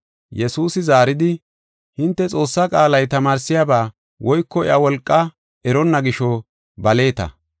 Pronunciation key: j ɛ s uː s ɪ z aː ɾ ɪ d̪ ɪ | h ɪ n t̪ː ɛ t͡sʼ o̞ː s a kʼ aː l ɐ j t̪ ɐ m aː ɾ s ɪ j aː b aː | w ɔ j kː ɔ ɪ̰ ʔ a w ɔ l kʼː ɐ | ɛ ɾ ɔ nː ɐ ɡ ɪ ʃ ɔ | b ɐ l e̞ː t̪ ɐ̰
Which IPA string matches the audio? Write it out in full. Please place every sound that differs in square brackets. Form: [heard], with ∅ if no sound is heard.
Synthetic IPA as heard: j ɛ s uː s ɪ z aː ɾ ɪ d̪ ɪ | h ɪ n t̪ː ɛ t͡sʼ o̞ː [sː] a kʼ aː l ɐ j t̪ ɐ m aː ɾ s ɪ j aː b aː | w ɔ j kː ɔ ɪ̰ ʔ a w ɔ l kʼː ɐ | ɛ ɾ ɔ nː ɐ ɡ ɪ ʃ ɔ | b ɐ l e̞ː t̪ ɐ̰